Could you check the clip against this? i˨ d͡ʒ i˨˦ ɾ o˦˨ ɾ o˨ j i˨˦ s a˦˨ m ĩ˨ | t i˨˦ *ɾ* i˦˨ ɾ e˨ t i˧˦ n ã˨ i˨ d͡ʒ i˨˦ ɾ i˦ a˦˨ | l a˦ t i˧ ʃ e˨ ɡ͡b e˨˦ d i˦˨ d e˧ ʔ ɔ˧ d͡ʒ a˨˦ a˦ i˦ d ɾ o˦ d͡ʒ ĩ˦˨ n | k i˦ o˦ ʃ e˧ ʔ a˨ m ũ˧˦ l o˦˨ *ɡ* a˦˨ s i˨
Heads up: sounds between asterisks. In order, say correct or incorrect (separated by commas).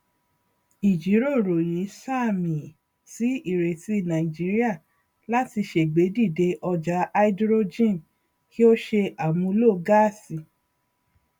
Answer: incorrect, correct